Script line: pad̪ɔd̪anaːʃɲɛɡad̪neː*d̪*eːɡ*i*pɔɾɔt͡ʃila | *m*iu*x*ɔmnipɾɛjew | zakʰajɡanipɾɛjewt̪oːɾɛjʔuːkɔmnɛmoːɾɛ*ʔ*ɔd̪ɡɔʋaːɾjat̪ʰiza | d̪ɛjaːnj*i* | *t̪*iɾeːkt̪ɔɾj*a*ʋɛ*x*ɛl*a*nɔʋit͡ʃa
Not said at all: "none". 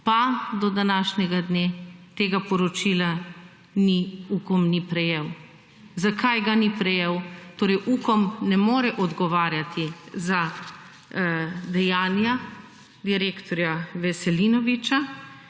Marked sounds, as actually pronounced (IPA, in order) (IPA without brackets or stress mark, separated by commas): t̪, a, n, k, ʔ, a, d̪, a, s, i